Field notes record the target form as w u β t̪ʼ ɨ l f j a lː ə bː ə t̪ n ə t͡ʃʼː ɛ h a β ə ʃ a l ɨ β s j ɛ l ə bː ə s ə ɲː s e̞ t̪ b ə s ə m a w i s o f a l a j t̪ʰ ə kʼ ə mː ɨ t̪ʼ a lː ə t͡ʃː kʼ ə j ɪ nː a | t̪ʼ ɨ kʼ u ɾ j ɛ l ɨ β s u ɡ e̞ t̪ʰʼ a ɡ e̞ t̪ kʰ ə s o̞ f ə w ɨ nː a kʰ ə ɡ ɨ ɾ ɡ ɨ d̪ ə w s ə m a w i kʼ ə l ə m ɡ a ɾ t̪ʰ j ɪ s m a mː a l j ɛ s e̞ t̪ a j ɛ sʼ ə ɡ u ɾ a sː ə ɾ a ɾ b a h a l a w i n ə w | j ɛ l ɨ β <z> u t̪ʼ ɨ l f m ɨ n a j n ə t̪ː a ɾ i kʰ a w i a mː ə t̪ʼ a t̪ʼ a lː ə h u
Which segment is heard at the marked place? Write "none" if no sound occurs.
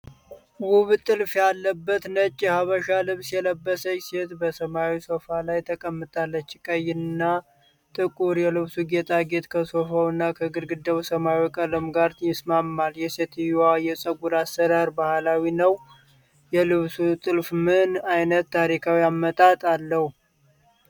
s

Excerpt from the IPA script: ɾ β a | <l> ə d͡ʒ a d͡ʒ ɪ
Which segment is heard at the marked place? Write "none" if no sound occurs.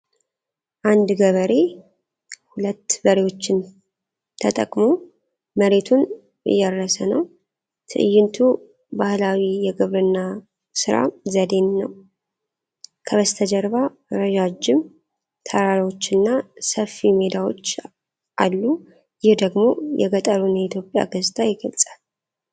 ɾ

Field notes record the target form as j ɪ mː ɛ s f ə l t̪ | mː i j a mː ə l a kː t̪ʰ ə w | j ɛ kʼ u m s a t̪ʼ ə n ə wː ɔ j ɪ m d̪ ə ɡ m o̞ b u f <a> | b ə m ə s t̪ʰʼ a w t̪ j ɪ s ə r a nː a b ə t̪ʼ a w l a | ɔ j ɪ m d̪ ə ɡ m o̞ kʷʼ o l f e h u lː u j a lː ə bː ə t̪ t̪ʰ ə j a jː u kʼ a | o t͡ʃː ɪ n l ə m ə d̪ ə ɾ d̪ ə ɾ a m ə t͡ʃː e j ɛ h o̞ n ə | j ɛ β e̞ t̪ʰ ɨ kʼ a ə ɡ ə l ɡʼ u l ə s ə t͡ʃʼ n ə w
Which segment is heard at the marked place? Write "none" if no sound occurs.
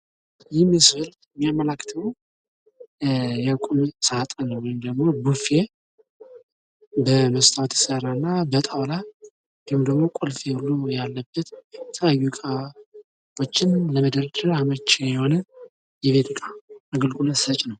e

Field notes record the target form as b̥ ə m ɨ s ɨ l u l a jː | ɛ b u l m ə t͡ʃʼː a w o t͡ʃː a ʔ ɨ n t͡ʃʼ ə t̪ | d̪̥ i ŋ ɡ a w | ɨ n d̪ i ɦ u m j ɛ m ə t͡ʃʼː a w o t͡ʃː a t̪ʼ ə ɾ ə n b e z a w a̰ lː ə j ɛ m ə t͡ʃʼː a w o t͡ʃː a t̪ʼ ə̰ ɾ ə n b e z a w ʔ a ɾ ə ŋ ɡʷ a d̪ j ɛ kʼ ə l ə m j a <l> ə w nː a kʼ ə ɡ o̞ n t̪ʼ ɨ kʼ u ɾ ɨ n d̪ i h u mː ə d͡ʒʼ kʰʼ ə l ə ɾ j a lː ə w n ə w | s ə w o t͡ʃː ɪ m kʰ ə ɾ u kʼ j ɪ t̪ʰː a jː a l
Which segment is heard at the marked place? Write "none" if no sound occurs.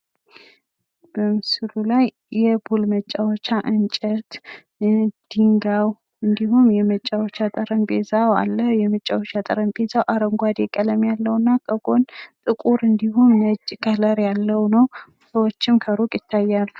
lː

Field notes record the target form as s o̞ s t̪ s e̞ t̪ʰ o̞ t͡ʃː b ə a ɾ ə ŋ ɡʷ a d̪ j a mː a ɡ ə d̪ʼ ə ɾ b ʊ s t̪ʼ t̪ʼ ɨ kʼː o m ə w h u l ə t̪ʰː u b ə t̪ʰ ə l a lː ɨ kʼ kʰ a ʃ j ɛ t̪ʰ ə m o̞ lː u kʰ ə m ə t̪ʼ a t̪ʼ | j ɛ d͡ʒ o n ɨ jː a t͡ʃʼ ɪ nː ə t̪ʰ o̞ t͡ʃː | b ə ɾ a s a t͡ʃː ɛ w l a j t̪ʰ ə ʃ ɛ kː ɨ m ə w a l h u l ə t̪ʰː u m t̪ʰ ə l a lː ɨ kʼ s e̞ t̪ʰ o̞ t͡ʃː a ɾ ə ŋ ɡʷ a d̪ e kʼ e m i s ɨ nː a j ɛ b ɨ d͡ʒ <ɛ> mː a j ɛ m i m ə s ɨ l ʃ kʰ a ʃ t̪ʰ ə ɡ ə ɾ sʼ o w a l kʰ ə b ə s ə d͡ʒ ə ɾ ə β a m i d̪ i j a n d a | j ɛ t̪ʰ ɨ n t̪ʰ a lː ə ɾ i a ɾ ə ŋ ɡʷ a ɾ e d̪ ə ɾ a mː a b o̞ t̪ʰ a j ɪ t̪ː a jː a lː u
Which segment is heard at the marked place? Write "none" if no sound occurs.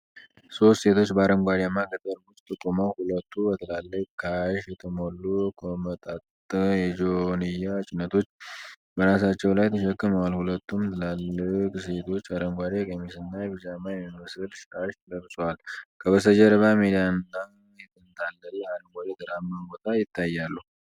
a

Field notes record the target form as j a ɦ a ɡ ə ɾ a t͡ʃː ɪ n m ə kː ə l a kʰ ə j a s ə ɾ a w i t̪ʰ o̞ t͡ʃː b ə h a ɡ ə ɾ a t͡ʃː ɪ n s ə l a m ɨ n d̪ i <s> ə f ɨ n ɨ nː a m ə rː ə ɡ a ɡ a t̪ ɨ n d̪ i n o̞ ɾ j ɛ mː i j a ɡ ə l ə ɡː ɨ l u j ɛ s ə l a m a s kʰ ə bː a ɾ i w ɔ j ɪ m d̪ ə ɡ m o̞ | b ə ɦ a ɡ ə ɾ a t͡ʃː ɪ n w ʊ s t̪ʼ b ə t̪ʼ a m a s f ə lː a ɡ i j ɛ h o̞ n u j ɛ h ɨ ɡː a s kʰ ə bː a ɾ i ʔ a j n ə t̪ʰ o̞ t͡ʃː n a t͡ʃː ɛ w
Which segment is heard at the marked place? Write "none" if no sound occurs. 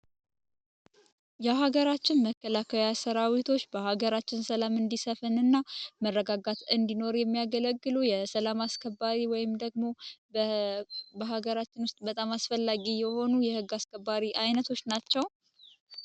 s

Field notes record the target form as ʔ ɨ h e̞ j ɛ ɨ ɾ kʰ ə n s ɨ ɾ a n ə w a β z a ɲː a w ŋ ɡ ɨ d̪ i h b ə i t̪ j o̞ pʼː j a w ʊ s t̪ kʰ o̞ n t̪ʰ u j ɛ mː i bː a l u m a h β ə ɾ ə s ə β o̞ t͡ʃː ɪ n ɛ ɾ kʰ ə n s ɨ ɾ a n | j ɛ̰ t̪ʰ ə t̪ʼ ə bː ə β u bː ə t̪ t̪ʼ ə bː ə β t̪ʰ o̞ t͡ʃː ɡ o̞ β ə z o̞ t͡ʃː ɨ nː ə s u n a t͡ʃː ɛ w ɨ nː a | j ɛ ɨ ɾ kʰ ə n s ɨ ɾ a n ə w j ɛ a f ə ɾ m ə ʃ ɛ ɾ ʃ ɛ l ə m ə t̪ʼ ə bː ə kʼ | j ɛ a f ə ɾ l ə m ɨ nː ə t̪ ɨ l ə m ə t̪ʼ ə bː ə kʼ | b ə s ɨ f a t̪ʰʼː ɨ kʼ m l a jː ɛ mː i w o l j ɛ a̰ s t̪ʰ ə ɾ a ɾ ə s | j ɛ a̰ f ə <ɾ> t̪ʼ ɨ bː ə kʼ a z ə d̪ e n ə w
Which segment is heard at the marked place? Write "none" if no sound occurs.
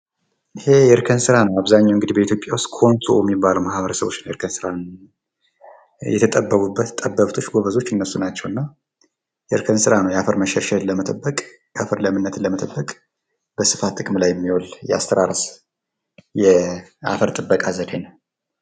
ɾ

